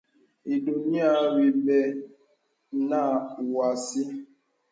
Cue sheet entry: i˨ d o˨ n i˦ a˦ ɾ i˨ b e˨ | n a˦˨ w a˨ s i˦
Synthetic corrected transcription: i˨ d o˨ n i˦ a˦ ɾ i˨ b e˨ | n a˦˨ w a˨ s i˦